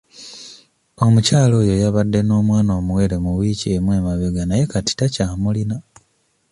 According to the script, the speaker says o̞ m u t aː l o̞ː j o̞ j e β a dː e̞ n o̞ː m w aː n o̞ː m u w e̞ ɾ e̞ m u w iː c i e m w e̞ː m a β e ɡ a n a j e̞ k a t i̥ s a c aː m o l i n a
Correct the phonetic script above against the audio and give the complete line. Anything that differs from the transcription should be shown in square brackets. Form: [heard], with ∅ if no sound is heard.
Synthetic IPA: o̞ m u [c] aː l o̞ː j o̞ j [a] β a dː e̞ n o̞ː m w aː n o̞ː m u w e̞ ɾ e̞ m u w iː c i e m w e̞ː m a β e ɡ a n a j e̞ k a t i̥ [t] a c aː m [u] l i n a